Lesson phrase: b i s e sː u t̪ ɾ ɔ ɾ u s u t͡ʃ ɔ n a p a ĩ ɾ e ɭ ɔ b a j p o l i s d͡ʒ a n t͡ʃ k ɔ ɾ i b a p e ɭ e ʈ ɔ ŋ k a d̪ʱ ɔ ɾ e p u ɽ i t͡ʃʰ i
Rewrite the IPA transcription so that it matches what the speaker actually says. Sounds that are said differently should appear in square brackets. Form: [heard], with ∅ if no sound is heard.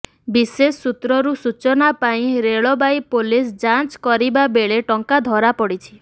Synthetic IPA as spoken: b i s e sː u t̪ ɾ ɔ ɾ u s u t͡ʃ ɔ n a p a ĩ ɾ e ɭ ɔ b a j p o l i s d͡ʒ a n t͡ʃ k ɔ ɾ i b a [b] e ɭ e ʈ ɔ ŋ k a d̪ʱ ɔ ɾ [a] p [ɔ] ɽ i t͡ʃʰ i